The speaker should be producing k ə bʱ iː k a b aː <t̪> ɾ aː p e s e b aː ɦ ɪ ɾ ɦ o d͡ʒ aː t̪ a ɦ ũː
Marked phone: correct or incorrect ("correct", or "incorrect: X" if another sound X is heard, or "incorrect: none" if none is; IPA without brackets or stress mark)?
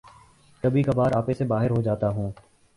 incorrect: none